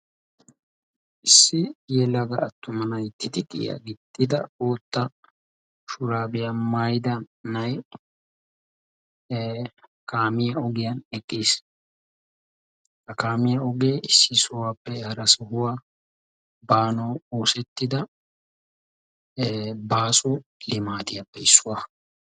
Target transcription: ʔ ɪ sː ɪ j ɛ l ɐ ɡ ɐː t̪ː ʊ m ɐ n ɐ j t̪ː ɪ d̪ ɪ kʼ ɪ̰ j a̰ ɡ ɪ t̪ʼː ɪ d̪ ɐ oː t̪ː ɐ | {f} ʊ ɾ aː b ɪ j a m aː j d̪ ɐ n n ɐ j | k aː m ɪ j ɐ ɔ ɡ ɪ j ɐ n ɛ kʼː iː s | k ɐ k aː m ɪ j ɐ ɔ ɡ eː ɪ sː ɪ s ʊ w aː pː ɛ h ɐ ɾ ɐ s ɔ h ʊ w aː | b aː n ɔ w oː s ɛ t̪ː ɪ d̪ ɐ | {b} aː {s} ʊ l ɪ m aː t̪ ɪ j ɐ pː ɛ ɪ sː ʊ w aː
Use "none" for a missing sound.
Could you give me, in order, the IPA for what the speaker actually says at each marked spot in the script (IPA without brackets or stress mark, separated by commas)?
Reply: ʃ, b, s